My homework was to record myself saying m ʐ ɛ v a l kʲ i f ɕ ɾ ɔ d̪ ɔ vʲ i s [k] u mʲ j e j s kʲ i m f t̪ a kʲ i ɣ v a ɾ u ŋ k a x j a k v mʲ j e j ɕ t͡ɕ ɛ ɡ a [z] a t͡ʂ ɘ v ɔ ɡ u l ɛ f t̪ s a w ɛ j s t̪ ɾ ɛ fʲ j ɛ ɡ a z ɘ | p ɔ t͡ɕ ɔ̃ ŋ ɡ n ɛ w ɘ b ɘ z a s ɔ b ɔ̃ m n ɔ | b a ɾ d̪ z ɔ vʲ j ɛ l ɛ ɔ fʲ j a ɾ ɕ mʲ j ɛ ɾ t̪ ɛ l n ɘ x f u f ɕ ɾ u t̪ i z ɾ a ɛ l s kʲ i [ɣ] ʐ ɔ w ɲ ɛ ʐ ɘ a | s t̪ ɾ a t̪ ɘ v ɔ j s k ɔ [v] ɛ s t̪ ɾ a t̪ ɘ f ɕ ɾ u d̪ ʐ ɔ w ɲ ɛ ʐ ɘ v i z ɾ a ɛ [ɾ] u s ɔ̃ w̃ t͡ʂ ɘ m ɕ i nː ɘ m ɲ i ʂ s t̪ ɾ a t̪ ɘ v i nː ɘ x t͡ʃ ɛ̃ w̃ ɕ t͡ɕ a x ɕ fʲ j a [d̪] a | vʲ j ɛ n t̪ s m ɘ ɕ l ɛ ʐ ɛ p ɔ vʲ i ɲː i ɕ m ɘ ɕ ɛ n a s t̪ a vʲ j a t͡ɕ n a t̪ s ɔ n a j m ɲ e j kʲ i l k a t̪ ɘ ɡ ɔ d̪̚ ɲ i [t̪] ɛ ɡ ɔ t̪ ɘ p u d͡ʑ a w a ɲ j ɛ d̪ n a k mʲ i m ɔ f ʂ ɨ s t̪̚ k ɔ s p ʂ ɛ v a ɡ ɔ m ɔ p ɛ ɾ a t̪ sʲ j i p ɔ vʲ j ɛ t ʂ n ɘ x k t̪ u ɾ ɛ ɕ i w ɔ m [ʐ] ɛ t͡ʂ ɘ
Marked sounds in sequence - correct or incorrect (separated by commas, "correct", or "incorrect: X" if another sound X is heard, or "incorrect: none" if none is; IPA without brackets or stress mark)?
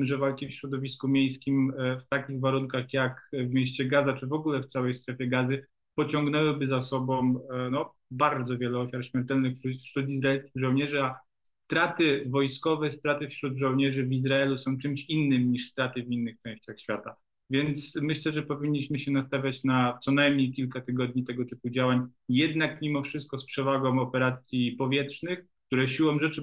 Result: correct, correct, correct, correct, incorrect: l, incorrect: t̪, correct, correct